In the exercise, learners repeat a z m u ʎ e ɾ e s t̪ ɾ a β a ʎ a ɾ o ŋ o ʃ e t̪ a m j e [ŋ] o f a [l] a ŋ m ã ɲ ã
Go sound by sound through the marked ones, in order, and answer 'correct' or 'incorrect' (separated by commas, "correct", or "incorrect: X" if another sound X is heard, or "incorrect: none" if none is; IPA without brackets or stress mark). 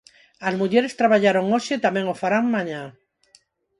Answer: correct, incorrect: ɾ